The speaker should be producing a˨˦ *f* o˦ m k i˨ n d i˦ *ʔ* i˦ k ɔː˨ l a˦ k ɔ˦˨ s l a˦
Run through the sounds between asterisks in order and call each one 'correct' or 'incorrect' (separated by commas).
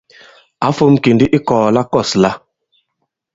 correct, correct